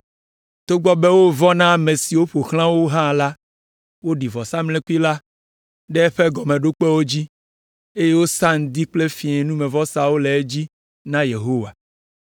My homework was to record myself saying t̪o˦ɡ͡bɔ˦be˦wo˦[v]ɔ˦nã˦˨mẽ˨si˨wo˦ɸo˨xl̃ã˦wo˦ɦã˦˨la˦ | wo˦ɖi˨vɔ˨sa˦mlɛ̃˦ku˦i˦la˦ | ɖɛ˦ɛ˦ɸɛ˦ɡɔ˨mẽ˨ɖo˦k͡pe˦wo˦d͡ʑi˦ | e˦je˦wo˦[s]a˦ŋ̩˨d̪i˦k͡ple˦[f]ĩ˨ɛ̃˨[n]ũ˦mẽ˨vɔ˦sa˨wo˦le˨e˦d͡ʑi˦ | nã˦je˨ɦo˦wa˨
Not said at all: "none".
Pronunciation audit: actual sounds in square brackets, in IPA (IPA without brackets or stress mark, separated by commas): v, s, f, n